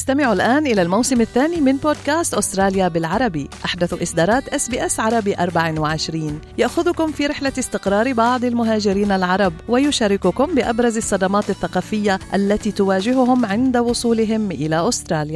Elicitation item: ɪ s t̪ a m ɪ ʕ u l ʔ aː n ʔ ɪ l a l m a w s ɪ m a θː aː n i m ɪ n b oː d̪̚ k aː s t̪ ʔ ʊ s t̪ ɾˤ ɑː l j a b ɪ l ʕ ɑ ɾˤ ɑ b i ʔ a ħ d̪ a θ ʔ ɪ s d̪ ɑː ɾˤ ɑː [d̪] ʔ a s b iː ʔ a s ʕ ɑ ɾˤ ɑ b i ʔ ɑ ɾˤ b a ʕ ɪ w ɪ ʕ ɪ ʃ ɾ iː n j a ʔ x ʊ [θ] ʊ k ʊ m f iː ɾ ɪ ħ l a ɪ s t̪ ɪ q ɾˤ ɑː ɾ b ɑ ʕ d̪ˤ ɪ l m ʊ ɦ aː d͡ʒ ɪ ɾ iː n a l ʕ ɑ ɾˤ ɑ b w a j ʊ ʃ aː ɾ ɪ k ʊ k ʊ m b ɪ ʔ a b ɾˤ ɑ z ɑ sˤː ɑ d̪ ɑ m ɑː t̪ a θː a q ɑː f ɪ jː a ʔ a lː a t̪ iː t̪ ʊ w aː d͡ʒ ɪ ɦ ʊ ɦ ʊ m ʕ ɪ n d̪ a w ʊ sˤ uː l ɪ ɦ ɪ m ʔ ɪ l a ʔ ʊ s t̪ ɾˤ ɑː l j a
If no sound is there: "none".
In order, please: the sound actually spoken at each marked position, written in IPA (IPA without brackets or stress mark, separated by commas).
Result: t̪, ð